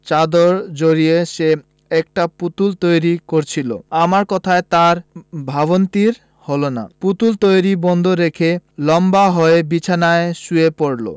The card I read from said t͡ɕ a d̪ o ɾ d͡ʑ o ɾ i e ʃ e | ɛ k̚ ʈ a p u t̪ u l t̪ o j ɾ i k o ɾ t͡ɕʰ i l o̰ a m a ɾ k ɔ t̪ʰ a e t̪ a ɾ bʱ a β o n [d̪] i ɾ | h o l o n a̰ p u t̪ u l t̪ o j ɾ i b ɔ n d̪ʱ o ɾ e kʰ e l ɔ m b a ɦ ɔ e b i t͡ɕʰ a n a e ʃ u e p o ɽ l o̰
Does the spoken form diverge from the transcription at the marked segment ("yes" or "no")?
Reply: yes